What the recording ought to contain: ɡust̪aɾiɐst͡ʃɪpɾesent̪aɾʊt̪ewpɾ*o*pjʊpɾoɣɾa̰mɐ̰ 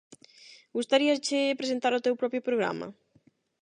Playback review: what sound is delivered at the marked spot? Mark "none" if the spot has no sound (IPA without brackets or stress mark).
ɔ